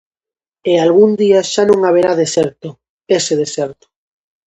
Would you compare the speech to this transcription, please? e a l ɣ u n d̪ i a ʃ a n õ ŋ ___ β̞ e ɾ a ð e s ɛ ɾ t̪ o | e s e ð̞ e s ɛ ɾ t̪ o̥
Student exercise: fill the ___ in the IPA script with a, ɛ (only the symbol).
a